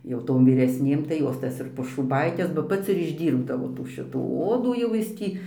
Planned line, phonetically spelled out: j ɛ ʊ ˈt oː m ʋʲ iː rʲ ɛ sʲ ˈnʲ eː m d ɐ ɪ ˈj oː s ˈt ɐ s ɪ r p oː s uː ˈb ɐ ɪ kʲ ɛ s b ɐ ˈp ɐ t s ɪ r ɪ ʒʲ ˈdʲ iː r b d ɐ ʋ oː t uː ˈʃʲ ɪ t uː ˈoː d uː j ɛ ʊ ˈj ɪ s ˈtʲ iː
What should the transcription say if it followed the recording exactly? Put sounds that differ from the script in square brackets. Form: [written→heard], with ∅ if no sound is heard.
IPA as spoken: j ɛ ʊ ˈt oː m ʋʲ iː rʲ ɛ sʲ ˈnʲ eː m [d→t] ɐ ɪ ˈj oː s ˈt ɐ s ɪ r p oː [s→ʃ] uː ˈb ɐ ɪ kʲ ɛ s b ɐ ˈp ɐ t s ɪ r ɪ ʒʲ ˈdʲ iː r b d ɐ ʋ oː t uː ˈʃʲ ɪ t uː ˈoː d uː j ɛ ʊ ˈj ɪ s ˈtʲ iː